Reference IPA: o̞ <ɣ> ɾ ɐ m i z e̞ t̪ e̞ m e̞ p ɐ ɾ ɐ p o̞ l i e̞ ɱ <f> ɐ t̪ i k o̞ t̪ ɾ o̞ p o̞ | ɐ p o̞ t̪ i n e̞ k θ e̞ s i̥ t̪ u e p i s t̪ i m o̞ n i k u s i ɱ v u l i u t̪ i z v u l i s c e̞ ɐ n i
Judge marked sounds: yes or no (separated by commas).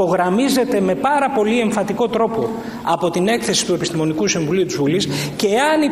yes, yes